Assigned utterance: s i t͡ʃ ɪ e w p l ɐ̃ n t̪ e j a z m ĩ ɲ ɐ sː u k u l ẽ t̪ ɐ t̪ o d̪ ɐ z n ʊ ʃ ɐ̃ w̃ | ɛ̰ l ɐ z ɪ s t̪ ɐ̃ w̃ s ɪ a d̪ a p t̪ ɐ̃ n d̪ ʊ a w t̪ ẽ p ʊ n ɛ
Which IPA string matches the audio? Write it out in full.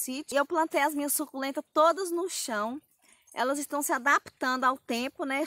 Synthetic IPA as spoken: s i t͡ʃ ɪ e w p l ɐ̃ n t̪ e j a z m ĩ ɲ ɐ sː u k u l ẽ t̪ ɐ t̪ o d̪ ɐ z n ʊ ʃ ɐ̃ w̃ | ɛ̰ l ɐ z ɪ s t̪ ɐ̃ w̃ s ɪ a d̪ a p t̪ ɐ̃ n d̪ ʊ a w t̪ ẽ p ʊ n ɛ